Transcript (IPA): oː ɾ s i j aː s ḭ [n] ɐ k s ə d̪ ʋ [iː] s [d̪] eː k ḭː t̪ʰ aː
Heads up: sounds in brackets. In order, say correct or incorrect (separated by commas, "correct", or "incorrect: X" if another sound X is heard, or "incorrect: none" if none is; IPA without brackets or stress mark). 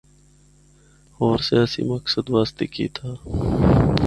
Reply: incorrect: m, incorrect: aː, incorrect: t̪